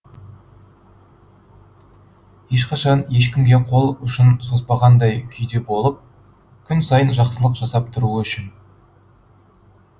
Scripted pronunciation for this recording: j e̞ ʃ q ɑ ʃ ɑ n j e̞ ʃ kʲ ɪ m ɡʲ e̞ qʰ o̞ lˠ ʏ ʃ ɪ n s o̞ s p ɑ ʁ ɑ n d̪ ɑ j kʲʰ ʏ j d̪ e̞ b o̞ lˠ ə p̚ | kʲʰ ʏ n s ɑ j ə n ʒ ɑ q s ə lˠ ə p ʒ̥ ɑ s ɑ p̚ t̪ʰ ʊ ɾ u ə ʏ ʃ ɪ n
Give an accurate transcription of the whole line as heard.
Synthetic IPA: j e̞ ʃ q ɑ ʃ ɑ n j e̞ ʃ kʲ ɪ m ɡʲ e̞ qʰ o̞ lˠ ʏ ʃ ɪ n s o̞ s p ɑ ʁ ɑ n d̪ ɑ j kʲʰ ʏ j d̪ e̞ b o̞ lˠ ə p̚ | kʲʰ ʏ n s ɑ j ə n ʒ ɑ q s ə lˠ ə q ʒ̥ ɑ s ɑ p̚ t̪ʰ ʊ ɾ u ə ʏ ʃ ɪ n